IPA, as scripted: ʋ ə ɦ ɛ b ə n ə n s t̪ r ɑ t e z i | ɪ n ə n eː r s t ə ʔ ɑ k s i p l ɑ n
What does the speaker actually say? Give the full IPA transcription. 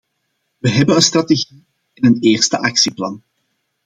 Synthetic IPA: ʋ ə ɦ ɛ b ə n ə n s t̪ r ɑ t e ɣ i | ɪ n ə n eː r s t ə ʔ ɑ k s i p l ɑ n